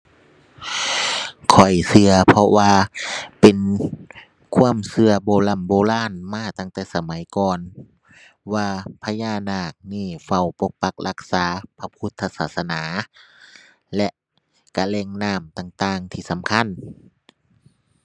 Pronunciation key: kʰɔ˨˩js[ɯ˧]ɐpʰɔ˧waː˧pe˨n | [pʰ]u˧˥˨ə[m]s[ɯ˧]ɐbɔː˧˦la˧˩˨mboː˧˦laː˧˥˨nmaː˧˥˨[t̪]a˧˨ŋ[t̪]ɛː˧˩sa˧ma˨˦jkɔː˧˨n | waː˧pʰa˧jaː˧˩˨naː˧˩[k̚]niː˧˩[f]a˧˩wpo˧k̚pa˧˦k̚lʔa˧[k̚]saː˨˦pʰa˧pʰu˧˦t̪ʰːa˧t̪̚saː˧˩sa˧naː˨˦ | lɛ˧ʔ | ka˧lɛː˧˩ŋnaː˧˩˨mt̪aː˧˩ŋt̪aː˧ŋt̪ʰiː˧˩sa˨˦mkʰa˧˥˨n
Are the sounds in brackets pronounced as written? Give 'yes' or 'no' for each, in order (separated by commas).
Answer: yes, no, yes, yes, yes, yes, yes, yes, yes